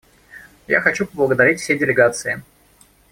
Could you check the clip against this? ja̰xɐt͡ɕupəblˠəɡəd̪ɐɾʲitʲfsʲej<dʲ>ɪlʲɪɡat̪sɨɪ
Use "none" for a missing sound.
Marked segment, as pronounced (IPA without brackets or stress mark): dʲ